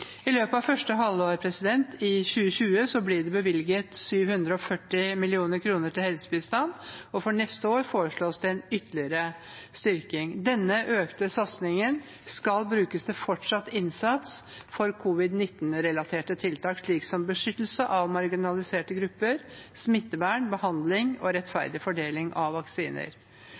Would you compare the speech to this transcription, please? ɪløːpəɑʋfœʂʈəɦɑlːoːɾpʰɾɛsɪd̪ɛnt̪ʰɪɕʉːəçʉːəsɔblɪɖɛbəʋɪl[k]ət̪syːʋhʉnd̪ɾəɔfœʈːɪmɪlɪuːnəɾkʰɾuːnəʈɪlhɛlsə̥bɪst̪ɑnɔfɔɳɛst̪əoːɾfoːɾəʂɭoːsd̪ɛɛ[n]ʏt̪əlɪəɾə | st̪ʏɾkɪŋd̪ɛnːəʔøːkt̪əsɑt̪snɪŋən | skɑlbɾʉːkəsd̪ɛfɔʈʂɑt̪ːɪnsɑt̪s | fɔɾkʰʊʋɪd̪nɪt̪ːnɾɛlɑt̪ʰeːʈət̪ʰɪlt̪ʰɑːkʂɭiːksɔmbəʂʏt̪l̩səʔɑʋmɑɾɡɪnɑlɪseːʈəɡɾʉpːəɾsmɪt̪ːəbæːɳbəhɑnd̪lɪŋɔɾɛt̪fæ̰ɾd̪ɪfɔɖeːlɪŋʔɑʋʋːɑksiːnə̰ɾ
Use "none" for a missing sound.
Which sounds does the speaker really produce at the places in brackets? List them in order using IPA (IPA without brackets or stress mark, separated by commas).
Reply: ɡ, n